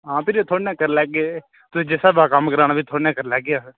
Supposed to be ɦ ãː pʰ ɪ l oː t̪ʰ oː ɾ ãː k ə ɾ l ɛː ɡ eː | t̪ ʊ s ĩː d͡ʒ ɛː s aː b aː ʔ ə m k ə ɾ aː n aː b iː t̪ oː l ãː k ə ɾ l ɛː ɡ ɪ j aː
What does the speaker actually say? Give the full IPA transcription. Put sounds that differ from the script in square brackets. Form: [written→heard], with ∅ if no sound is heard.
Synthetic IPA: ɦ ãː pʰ ɪ [l→ɾ] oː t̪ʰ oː [ɾ→ɽ] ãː k ə ɾ l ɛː ɡ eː | t̪ ʊ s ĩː d͡ʒ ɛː s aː b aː [ʔ→k] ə m k ə ɾ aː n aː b iː [t̪→t̪ʰ] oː [l→ɽ] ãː k ə ɾ l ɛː ɡ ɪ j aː